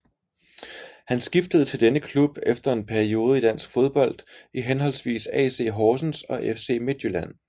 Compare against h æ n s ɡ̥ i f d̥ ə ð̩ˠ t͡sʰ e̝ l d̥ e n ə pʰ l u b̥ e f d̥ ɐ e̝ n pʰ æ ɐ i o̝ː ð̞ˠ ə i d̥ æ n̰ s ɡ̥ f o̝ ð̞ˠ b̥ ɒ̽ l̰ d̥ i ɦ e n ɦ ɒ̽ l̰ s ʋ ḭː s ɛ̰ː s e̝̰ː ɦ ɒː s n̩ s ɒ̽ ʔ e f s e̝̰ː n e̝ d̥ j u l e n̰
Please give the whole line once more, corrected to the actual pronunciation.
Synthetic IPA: h æ n s ɡ̥ i f d̥ ə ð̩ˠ t͡sʰ e̝ l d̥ e n ə kʰ l u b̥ e f d̥ ɐ e̝ n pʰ æ ɐ i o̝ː ð̞ˠ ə i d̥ æ n̰ s ɡ̥ f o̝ ð̞ˠ b̥ ɒ̽ l̰ d̥ i ɦ e n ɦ ɒ̽ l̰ s ʋ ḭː s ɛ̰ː s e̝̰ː ɦ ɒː s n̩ s ɒ̽ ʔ e f s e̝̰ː m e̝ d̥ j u l æ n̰

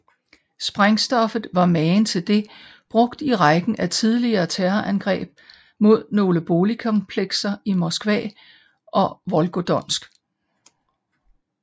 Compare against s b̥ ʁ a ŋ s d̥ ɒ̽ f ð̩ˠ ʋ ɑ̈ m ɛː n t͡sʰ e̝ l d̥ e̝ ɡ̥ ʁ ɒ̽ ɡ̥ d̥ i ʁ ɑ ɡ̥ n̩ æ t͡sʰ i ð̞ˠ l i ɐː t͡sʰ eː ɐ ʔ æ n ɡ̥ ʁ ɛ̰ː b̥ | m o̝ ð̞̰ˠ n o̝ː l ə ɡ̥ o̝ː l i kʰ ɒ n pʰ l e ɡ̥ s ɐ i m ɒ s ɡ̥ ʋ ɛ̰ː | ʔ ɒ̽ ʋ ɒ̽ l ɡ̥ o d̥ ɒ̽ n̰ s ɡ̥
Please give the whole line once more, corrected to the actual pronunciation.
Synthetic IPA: s b̥ ʁ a ŋ s d̥ ɒ̽ f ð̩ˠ ʋ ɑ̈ m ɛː n t͡sʰ e̝ l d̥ e̝ b̥ ʁ ɔ̽ ɡ̥ d̥ i ʁ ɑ ɡ̥ n̩ æ t͡sʰ i ð̞ˠ l i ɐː t͡sʰ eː ɐ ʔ æ n ɡ̥ ʁ ɛ̰ː b̥ | m o̝ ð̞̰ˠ n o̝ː l ə b̥ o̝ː l i kʰ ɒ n pʰ l e ɡ̥ s ɐ i m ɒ s ɡ̥ ʋ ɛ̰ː | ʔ ɒ̽ ʋ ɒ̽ l ɡ̥ o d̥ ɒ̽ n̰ s ɡ̥

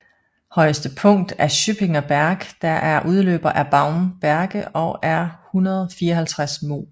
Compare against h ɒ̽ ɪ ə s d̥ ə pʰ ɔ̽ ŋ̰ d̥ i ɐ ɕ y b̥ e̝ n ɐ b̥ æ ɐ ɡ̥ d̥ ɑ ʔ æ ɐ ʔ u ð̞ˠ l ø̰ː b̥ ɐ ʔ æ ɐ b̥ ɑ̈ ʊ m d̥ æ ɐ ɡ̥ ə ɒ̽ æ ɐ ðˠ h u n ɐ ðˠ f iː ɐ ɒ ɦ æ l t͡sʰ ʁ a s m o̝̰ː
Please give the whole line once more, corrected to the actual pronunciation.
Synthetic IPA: h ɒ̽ ɪ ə s d̥ ə pʰ ɔ̽ ŋ̰ d̥ æ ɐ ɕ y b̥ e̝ ŋ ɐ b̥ æ ɐ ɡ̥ d̥ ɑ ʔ æ ɐ ʔ u ð̞ˠ l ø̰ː b̥ ɐ ʔ æ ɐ b̥ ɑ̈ ʊ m b̥ æ ɐ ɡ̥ ə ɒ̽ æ ɐ h u n ɐ ðˠ f iː ɐ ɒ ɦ æ l t͡sʰ ʁ a s m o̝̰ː

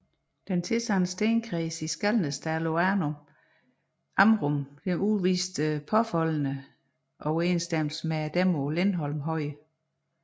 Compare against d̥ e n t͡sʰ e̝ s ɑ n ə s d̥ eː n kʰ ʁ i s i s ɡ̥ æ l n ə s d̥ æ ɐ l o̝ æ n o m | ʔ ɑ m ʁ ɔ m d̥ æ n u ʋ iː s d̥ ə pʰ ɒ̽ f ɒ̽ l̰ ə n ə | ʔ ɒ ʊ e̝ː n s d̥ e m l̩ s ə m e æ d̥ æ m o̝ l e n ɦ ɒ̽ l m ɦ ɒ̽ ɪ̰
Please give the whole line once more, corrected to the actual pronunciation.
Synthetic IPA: d̥ e n t͡sʰ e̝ s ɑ n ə s d̥ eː n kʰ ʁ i s i s ɡ̥ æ l n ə s d̥ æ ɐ l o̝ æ n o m | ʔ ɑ m ʁ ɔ m d̥ e n u ʋ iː s d̥ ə pʰ ɒ̽ f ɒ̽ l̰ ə n ə | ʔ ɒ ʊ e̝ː n s d̥ e m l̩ s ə m e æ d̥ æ m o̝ l e n ɦ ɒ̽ l m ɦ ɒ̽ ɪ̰

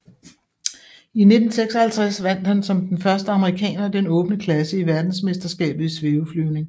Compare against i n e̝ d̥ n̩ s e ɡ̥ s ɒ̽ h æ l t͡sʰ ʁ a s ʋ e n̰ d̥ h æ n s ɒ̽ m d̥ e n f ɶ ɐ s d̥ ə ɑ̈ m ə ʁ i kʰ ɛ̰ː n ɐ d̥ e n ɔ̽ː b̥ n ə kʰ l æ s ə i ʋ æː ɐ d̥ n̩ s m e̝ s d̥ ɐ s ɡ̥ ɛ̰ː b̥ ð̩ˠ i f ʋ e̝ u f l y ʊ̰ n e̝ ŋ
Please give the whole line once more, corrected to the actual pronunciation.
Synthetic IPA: i n e̝ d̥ n̩ s e ɡ̥ s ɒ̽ h æ l t͡sʰ ʁ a s ʋ æ n̰ d̥ h æ n s ɒ̽ m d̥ e n f ɶ ɐ s d̥ ə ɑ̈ m ə ʁ i kʰ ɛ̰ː n ɐ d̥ e n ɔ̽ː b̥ n ə kʰ l æ s ə i ʋ æ ɐ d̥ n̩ s m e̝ s d̥ ɐ s ɡ̥ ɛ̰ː b̥ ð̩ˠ i s ʋ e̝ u f l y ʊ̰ n e̝ ŋ

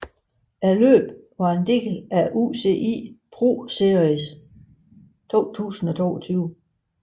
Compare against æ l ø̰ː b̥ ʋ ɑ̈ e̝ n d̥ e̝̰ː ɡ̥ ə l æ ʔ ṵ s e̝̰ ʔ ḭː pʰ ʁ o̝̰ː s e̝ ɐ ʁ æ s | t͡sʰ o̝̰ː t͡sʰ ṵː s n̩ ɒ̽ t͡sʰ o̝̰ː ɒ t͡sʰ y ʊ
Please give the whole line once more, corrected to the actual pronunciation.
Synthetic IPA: æ l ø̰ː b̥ ʋ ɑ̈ e̝ n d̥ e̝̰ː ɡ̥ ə l æ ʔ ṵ s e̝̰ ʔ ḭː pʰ ʁ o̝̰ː s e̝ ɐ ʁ i s | t͡sʰ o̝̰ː t͡sʰ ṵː s n̩ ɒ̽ t͡sʰ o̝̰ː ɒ t͡sʰ yː ʊ

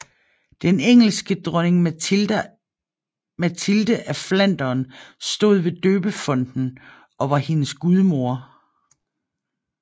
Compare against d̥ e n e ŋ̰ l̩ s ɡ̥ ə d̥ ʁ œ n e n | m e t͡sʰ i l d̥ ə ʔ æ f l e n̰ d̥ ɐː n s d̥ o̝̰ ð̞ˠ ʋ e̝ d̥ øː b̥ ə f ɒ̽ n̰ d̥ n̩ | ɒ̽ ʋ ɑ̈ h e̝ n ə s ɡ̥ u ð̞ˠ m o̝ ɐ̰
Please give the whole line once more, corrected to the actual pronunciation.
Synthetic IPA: d̥ e n e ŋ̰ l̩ s ɡ̥ ə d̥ ʁ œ n e ŋ | m æ t͡sʰ i l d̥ ə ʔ æ f l æ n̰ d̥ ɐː n s d̥ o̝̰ ð̞ˠ ʋ e̝ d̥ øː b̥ ə f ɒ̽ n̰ d̥ n̩ | ɒ̽ ʋ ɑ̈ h e̝ n ə s ɡ̥ u ð̞ˠ m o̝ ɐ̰

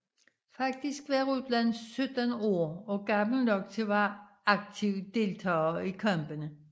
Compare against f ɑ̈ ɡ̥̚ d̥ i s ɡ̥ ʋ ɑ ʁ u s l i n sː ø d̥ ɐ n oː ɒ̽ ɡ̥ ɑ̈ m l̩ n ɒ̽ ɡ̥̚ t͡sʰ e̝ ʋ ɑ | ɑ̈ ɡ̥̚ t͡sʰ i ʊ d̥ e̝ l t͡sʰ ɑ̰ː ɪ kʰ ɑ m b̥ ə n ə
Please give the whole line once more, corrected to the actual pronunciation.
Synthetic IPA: f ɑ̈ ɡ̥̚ d̥ i s ɡ̥ ʋ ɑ ʁ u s l æ n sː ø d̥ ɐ n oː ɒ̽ ɡ̥ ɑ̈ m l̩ n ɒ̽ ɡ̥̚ t͡sʰ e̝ ʋ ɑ | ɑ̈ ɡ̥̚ t͡sʰ i ʊ d̥ e̝ l t͡sʰ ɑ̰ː i kʰ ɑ m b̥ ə n ə

